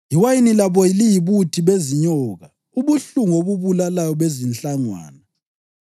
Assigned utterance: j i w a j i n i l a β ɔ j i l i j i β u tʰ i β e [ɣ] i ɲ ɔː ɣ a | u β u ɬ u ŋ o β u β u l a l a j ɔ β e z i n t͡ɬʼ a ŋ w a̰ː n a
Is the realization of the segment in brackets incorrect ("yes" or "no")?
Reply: yes